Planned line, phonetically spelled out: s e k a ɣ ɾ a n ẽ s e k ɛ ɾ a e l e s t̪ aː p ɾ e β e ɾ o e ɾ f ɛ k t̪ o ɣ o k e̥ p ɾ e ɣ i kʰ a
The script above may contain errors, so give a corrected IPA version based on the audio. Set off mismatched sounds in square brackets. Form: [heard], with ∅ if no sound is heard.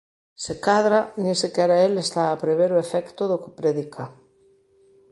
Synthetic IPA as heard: s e k a [ð] ɾ a n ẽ s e k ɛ ɾ a e l e s t̪ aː p ɾ e β e ɾ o e [∅] f ɛ k t̪ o [ð] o k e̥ p ɾ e [ð] i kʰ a